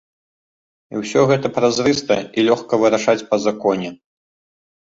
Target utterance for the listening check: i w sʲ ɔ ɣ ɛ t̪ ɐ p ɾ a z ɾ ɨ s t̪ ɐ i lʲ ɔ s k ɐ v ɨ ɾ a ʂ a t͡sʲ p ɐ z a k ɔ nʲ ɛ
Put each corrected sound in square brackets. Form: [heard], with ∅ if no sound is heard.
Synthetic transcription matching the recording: i w sʲ ɔ ɣ ɛ t̪ ɐ p ɾ a z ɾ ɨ s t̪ ɐ i lʲ ɔ [x] k ɐ v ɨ ɾ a ʂ a t͡sʲ p ɐ z a k ɔ nʲ ɛ